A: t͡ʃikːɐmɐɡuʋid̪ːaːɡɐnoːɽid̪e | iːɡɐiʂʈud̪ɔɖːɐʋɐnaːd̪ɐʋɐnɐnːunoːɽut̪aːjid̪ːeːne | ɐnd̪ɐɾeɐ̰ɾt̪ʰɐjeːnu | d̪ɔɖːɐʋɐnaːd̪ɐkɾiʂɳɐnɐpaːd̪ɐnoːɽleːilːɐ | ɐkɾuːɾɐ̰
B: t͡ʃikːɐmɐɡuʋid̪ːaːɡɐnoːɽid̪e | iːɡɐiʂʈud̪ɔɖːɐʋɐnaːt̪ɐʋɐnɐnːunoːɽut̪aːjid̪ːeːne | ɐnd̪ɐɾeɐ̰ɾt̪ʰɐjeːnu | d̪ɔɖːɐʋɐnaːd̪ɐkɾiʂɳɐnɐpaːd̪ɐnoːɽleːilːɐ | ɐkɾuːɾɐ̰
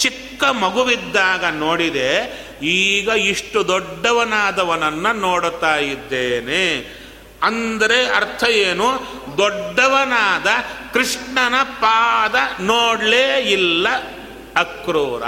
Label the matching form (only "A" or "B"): A